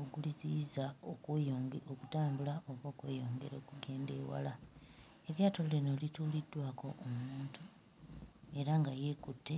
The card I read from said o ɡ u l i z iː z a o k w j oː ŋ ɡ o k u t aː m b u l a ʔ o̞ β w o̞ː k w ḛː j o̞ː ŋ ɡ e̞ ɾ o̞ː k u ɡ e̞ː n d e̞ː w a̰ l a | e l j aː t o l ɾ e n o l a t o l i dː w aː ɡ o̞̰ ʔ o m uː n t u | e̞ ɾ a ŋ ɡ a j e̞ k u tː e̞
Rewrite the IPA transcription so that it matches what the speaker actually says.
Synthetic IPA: o ɡ u l i z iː z a o k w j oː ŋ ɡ o k u t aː m b u l a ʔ o̞ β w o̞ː k w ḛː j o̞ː ŋ ɡ e̞ ɾ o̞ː k u ɡ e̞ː n d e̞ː w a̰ l a | e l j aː t o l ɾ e n o l i t u l i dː w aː k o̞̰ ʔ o m uː n t u | e̞ ɾ a ŋ ɡ a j e̞ k u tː e̞